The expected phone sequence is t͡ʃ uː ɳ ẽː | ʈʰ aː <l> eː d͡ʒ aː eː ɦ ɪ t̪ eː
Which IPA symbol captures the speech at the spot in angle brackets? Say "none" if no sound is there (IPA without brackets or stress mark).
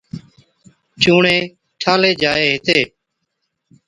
l